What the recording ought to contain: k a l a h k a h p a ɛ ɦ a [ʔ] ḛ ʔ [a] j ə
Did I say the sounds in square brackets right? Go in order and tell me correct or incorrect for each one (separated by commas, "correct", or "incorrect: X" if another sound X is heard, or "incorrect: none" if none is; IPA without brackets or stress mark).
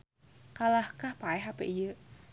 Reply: incorrect: p, incorrect: i